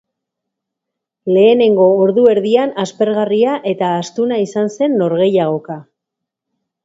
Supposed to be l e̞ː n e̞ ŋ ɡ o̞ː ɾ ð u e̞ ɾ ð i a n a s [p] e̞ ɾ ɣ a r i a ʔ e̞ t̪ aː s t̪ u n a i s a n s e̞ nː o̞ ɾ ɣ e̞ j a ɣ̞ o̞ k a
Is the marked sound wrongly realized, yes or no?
no